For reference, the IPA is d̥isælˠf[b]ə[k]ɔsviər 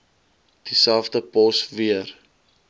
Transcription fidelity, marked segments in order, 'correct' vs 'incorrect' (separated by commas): incorrect, incorrect